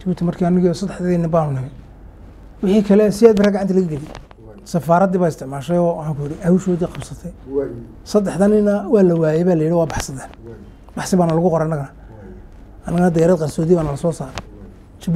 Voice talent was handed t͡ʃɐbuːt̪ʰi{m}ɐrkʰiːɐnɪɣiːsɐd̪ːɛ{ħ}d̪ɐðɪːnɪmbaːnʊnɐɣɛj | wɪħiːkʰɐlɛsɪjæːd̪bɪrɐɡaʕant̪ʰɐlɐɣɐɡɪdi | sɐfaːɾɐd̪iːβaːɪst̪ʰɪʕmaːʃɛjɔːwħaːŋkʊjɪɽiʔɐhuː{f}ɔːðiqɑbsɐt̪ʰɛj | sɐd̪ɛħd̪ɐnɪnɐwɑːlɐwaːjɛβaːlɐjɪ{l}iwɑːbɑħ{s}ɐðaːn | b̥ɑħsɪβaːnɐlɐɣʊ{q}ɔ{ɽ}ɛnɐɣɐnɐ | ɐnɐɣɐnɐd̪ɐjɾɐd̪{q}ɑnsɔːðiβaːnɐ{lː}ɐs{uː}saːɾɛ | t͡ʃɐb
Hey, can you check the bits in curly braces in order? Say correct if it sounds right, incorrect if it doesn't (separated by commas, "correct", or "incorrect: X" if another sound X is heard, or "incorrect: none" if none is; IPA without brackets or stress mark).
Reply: correct, correct, incorrect: ʃ, incorrect: ɽ, correct, correct, incorrect: ɾ, correct, incorrect: l, incorrect: ɔː